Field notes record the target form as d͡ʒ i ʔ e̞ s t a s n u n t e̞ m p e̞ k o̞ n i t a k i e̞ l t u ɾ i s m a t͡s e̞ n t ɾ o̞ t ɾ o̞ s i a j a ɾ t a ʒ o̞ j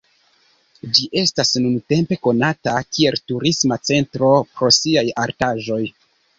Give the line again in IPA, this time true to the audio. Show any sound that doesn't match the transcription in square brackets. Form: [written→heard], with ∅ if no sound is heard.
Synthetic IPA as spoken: d͡ʒ i ʔ e̞ s t a s n u n t e̞ m p e̞ k o̞ n [i→a] t a k i e̞ l t u ɾ i s m a t͡s e̞ n t ɾ o̞ [t→p] ɾ o̞ s i a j a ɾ t a ʒ o̞ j

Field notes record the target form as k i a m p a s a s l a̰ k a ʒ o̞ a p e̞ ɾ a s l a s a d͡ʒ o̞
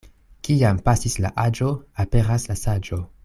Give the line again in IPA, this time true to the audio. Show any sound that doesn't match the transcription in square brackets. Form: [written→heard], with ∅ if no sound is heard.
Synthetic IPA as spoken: k i a m p a s [a→i] s l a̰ [k→ʔ] a [ʒ→d͡ʒ] o̞ a p e̞ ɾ a s l a s a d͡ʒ o̞

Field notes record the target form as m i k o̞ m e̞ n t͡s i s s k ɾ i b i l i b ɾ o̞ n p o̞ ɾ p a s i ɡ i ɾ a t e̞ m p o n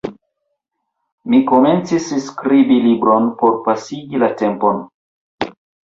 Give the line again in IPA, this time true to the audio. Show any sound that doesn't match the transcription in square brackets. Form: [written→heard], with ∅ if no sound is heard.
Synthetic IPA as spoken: m i k o̞ m e̞ n t͡s i s s k ɾ i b i l i b ɾ o̞ n p o̞ ɾ p a s i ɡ i [ɾ→l] a t e̞ m p o n

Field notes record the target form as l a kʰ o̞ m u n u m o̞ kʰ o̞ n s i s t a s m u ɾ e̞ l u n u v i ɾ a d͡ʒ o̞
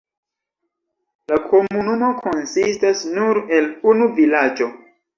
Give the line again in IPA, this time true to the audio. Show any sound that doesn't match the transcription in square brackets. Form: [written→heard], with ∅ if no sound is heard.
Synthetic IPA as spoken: l a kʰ o̞ m u n u m o̞ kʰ o̞ n s i s t a s [m→n] u ɾ e̞ l u n u v i [ɾ→l] a d͡ʒ o̞

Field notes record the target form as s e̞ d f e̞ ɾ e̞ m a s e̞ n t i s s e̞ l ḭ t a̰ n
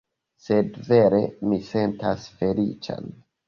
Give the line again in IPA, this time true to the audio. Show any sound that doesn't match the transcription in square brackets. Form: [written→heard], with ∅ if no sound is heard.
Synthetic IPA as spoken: s e̞ d [f→v] e̞ ɾ e̞ m [a→i] s e̞ n t [i→a] s [s→f] e̞ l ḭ [t→t͡ʃ] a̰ n

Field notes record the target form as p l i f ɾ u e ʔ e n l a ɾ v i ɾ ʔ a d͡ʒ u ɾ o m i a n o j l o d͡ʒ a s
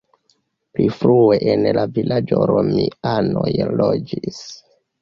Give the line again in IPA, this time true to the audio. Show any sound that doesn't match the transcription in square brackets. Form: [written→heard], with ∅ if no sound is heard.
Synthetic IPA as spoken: p l i f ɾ u e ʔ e n l a [ɾ→∅] v i [ɾ→l] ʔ a d͡ʒ [u→o] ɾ o m i a n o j l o d͡ʒ [a→i] s

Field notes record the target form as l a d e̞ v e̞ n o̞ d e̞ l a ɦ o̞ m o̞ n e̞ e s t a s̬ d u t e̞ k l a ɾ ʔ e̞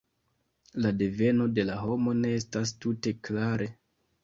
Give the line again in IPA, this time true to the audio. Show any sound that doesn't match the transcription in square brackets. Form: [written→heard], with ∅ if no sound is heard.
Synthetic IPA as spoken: l a d e̞ v e̞ n o̞ d e̞ l a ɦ o̞ m o̞ n e̞ e s t a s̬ [d→t] u t e̞ k l a ɾ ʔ e̞

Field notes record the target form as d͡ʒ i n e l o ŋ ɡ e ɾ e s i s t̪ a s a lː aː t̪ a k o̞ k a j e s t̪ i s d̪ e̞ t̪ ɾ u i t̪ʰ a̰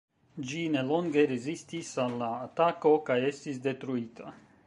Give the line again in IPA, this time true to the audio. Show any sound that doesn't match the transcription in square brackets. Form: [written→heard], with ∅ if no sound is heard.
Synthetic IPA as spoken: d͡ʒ i n e l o ŋ ɡ e ɾ e [s→z] i s t̪ [a→i] s a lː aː t̪ a k o̞ k a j e s t̪ i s d̪ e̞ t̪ ɾ u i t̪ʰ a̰

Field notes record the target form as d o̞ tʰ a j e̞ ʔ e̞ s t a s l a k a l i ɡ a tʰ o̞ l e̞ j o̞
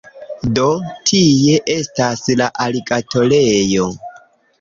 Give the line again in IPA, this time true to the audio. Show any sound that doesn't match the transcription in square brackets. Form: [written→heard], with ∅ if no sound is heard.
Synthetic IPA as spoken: d o̞ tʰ [a→i] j e̞ ʔ e̞ s t a s l a [k→ʔ] a l i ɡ a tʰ o̞ l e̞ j o̞

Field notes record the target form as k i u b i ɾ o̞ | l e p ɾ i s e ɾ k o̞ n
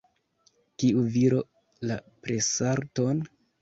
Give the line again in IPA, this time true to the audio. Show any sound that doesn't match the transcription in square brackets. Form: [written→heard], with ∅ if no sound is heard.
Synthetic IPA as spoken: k i u [b→v] i ɾ o̞ | l [e→a] p ɾ [i→e] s [e→a] ɾ [k→t] o̞ n

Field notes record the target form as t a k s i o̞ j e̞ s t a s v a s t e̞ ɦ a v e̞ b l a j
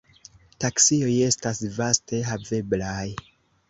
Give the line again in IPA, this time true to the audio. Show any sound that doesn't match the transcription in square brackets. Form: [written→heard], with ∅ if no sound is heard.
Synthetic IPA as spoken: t a k s i o̞ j e̞ s t a s v a s t e̞ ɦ a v e̞ b l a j

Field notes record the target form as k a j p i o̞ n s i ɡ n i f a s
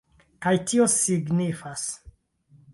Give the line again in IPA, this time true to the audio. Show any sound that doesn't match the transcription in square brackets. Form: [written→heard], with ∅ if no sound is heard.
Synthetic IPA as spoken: k a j [p→t] i o̞ [n→∅] s i ɡ n i f a s

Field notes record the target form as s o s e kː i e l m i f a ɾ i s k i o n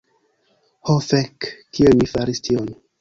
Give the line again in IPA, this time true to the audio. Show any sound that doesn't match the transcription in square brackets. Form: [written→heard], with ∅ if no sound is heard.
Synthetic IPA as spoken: [s→h] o [s→f] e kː i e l m i f a ɾ i s [k→t] i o n

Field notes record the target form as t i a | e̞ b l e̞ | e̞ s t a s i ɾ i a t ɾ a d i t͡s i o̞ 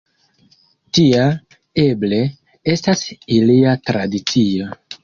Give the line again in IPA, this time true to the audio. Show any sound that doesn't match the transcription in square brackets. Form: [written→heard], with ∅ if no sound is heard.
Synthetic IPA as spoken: t i a | e̞ b l e̞ | e̞ s t a s i [ɾ→l] i a t ɾ a d i t͡s i o̞

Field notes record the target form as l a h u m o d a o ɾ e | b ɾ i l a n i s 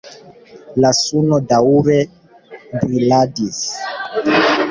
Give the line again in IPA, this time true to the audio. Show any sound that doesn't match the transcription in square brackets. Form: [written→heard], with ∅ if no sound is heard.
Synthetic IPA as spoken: l a [h→s] u [m→n] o d a [o→u] ɾ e | b ɾ i l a [n→d] i s

